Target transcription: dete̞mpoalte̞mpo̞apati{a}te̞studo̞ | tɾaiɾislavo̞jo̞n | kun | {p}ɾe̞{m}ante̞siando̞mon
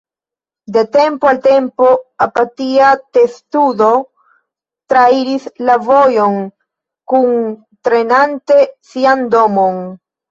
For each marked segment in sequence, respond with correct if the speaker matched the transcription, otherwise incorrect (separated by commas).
correct, incorrect, incorrect